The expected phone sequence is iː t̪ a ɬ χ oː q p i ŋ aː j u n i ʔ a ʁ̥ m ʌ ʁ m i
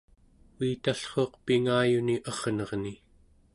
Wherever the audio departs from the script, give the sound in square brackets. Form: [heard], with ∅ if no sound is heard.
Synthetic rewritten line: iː t̪ a ɬ χ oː q p i ŋ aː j u n i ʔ [ʌ] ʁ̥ [n] ʌ ʁ [n] i